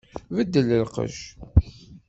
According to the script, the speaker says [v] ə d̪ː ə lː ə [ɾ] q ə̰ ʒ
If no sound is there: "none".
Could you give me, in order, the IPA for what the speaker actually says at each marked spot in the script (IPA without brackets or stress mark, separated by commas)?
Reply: v, l